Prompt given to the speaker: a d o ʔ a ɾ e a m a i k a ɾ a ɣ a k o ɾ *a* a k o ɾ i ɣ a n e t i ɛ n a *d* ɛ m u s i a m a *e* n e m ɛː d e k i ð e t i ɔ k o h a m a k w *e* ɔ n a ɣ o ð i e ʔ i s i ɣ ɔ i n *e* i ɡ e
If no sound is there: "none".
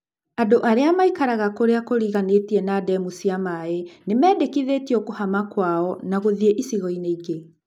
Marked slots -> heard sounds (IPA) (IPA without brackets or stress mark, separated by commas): e, d, e, a, e